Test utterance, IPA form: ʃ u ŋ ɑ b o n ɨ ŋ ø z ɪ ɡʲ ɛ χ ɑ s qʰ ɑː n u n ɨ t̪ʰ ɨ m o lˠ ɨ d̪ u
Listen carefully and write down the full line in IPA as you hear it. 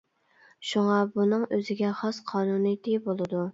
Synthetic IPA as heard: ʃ u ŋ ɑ b u n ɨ ŋ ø z ɪ ɡʲ ɛ χ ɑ s qʰ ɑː n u n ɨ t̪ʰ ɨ b o lˠ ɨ d̪ u